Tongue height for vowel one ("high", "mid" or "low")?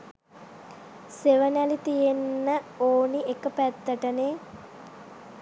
mid